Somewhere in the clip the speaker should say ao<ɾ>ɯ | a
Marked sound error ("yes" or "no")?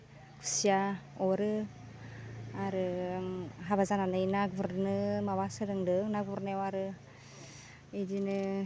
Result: no